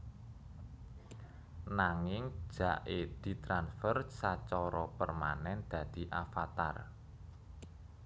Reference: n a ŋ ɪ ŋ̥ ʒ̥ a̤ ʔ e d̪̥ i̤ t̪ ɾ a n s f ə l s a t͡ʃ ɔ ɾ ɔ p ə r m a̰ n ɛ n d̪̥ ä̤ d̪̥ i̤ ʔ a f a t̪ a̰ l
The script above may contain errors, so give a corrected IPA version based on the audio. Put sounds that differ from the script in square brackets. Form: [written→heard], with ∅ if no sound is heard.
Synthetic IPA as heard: n a ŋ ɪ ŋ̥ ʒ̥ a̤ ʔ e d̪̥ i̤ t̪ ɾ a n s f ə [l→r] s a t͡ʃ ɔ ɾ ɔ p ə r m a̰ n ɛ n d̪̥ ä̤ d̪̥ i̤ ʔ a f a t̪ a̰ [l→r]